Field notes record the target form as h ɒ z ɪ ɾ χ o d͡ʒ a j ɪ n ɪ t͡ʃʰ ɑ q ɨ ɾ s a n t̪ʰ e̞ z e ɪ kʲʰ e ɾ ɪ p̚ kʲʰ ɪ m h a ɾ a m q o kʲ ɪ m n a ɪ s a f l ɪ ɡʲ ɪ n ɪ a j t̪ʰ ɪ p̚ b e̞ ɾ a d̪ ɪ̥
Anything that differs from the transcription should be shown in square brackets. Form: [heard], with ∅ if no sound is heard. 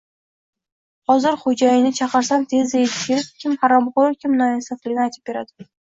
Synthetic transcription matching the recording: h ɒ z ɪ ɾ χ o d͡ʒ a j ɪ n ɪ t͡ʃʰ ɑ q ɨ ɾ s a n t̪ʰ e̞ z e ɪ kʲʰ e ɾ ɪ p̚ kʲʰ ɪ m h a ɾ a m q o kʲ ɪ m n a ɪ s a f l ɪ ɡʲ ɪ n ɪ a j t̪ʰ ɪ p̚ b e̞ ɾ a d̪ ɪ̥